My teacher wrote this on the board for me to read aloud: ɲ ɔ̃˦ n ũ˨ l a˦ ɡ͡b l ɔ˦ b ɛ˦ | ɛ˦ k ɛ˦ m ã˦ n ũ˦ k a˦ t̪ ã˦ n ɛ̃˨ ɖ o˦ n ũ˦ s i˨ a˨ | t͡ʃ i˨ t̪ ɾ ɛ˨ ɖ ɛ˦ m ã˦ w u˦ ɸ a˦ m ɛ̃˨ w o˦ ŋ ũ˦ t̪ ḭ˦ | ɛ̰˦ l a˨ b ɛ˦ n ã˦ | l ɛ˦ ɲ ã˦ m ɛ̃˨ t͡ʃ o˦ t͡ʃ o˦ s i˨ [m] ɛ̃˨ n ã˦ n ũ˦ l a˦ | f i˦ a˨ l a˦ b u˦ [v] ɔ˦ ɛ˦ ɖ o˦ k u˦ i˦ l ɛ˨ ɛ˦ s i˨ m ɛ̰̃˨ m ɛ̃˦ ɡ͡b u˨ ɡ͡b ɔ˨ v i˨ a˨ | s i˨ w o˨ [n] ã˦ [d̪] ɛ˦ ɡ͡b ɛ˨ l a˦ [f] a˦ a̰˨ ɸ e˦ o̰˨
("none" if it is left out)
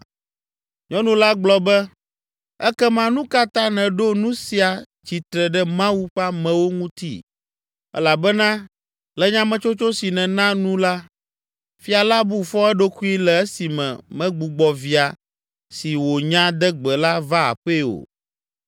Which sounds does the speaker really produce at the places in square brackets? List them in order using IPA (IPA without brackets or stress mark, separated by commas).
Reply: n, f, ɲ, d̪, v